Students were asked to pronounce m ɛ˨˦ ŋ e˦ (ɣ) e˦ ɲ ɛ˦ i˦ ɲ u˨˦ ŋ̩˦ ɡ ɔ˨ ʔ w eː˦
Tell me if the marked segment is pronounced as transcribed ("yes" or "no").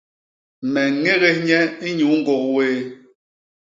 yes